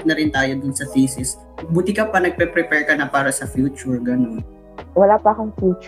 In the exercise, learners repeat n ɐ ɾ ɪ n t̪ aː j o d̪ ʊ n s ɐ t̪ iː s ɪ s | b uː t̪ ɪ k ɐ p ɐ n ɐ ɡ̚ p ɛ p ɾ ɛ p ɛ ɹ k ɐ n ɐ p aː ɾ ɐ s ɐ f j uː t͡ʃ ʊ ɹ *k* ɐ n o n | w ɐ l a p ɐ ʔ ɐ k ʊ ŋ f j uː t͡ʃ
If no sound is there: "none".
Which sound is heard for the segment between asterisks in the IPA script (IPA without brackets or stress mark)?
ɡ